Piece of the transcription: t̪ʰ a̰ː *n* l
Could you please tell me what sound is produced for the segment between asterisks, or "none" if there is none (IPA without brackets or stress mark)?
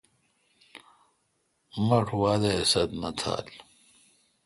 none